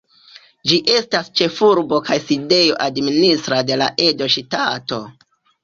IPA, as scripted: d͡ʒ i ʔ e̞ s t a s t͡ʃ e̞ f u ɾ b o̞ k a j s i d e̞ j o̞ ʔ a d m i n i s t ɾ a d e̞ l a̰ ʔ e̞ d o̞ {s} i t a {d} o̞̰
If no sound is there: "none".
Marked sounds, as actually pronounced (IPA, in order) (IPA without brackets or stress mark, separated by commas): ʃ, t